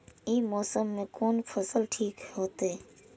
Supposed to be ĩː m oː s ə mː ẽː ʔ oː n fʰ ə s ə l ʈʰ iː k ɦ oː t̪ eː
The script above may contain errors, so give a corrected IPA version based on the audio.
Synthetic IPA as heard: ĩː m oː s ə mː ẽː k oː n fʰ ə s ə l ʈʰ iː k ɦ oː t̪ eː